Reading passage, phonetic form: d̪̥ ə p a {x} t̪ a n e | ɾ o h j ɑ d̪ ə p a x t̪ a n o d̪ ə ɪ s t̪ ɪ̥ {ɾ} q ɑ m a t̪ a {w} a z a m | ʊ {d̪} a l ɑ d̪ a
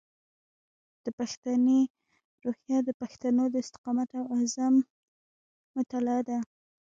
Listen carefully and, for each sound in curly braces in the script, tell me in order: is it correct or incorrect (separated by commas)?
correct, incorrect, correct, incorrect